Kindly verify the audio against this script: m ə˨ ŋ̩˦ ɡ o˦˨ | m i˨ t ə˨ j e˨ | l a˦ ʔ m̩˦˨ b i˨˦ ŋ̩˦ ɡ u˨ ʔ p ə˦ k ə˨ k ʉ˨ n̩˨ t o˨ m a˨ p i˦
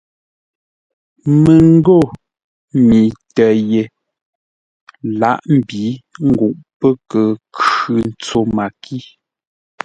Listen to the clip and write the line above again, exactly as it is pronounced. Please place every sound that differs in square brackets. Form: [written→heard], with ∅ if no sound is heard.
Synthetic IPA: m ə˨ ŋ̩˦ ɡ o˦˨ | m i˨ t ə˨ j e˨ | l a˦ ʔ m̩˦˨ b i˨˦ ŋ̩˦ ɡ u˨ ʔ p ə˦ k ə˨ k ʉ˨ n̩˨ [t→t͡s] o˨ m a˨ [p→k] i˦